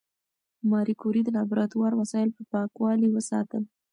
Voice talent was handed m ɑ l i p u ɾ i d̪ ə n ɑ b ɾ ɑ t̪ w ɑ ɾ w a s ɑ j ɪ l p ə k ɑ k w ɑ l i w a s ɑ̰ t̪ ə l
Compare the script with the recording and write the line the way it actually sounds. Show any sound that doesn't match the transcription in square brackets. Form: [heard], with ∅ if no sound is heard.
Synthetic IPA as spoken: m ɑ [ɾ] i [k] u ɾ i d̪ ə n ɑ b ɾ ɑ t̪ w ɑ ɾ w a s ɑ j ɪ l p ə [p] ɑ k w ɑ l i w [ə] s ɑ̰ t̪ ə l

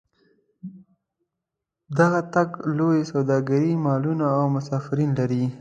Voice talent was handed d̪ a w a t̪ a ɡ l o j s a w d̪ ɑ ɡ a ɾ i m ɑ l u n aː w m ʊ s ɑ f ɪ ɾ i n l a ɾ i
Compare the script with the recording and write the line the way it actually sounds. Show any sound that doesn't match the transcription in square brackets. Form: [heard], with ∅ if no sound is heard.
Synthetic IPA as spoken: d̪ a [ɣ] a t̪ a ɡ l o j s a w d̪ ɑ ɡ a ɾ i m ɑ l u n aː w m ʊ s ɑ f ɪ ɾ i n l a ɾ i

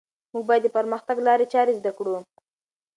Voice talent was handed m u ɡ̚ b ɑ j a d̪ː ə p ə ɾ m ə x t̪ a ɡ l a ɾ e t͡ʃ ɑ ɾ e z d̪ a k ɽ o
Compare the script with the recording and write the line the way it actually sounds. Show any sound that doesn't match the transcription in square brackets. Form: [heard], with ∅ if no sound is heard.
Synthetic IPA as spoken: m u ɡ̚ b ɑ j a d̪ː ə p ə ɾ m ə x t̪ a ɡ l [ɑ] ɾ e t͡ʃ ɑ ɾ e z d̪ a k ɽ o

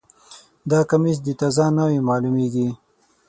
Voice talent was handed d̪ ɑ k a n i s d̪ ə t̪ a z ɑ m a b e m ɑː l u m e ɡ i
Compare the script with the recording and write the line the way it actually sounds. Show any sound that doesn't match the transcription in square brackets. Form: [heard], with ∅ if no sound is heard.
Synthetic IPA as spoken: d̪ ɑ k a [m] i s d̪ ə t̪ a z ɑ [n] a [w] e m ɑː l u m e ɡ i

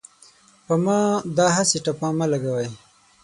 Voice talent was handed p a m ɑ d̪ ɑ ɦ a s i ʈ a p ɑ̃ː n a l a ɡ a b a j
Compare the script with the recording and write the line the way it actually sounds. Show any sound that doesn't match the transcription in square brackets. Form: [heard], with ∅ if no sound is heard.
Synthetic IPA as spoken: p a m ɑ d̪ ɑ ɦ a s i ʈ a p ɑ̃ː [m] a l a ɡ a [w] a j

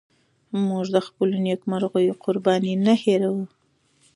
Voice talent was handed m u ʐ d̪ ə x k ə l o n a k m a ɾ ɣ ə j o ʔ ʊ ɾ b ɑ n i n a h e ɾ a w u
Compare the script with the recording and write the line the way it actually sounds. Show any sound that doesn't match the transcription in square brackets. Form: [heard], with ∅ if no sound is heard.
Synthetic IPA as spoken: m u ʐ d̪ ə x [p] ə l o n [e] k m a ɾ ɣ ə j o [q] ʊ ɾ b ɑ n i n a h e ɾ a w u

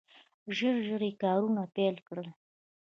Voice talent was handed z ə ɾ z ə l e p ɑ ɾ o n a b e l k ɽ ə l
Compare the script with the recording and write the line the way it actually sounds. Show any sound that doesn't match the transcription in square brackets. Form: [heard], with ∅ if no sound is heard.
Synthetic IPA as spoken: [ʒ] ə ɾ [ʒ] ə [ɾ] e [k] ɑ ɾ [u] n a [p] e l k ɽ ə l

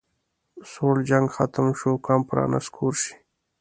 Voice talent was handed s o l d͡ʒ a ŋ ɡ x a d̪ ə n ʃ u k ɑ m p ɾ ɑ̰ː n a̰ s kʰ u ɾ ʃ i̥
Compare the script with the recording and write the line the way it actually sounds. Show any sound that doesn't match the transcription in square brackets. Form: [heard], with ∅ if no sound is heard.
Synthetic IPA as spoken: s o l d͡ʒ a ŋ ɡ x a [t̪] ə [m] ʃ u k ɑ m p ɾ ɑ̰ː n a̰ s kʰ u ɾ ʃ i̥

